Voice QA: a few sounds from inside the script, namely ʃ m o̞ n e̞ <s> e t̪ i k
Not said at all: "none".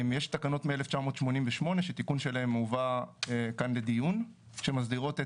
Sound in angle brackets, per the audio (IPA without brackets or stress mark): ʃ